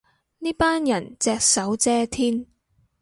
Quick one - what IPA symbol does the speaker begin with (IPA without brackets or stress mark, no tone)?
n